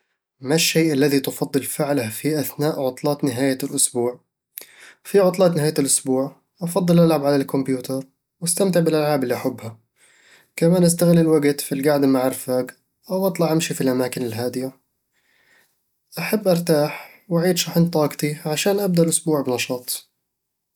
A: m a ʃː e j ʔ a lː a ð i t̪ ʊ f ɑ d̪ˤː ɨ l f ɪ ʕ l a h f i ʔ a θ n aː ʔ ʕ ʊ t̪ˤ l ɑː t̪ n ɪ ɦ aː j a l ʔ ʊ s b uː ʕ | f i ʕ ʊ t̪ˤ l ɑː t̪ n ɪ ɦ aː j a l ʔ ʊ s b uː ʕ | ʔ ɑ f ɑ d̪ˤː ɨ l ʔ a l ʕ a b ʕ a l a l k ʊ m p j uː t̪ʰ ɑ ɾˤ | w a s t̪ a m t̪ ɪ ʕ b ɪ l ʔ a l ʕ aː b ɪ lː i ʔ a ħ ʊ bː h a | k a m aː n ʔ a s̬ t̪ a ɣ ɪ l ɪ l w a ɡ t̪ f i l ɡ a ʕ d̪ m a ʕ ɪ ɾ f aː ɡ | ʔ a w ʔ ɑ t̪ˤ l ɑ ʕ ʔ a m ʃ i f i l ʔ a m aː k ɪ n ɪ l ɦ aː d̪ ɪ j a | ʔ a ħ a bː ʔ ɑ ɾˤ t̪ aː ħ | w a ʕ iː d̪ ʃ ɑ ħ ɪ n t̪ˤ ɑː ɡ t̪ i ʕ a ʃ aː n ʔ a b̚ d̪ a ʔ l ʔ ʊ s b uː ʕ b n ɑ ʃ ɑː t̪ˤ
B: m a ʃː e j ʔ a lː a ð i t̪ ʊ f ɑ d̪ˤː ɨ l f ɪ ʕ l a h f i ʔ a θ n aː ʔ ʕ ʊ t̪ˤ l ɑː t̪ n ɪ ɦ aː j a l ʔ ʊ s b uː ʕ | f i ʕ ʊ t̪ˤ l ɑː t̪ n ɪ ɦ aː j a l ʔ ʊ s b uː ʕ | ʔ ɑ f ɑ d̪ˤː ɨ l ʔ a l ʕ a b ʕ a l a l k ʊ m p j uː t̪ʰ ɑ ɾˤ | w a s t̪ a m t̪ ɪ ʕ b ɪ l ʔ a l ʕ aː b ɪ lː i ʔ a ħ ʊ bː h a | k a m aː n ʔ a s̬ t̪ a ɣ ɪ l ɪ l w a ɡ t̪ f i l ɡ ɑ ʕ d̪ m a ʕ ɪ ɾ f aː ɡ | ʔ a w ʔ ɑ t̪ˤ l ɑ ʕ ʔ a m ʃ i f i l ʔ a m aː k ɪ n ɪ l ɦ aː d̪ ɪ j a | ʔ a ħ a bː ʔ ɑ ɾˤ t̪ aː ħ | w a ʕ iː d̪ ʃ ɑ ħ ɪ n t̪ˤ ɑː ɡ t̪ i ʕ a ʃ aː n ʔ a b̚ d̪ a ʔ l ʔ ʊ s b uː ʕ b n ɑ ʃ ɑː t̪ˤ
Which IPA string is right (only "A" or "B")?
A